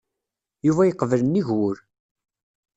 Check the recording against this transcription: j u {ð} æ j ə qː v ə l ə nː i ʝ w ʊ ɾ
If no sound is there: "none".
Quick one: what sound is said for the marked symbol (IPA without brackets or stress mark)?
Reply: v